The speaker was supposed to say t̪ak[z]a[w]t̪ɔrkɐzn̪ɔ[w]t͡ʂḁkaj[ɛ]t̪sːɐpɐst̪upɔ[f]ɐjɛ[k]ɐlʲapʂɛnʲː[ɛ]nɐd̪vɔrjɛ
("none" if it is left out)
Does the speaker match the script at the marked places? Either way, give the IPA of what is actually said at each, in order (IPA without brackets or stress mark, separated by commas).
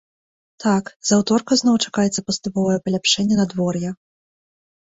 z, w, w, ɛ, v, p, ɛ